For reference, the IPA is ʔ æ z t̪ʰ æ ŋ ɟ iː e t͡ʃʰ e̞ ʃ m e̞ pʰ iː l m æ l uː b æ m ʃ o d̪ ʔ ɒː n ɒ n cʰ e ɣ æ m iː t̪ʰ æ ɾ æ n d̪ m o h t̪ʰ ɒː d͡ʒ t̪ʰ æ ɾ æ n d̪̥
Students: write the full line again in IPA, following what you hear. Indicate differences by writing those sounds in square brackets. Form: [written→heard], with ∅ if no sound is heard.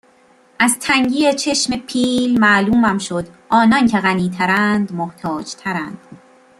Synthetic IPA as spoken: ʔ æ z t̪ʰ æ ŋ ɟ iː e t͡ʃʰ e̞ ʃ m e̞ pʰ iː l m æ l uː [b→m] æ m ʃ o d̪ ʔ ɒː n ɒ n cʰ e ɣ æ [m→n] iː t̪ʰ æ ɾ æ n d̪ m o h t̪ʰ ɒː d͡ʒ t̪ʰ æ ɾ æ n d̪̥